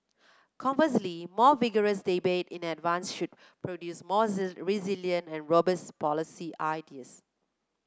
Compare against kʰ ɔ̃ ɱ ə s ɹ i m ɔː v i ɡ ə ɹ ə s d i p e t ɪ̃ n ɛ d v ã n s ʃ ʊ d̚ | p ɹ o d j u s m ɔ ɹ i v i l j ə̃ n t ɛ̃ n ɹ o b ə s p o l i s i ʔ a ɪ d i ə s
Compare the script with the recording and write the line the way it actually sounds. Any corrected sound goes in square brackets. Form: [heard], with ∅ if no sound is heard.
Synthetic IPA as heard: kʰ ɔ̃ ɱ ə s [l] i m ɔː v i ɡ ə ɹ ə s d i [b] e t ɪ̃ n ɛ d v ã n s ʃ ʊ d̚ | p ɹ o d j u s m ɔ ɹ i [z] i l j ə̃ n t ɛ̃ n ɹ o b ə s p [ɔ] l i s i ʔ a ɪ d i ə s